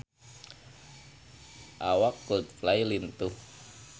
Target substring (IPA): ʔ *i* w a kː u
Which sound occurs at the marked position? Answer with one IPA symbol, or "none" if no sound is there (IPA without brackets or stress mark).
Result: a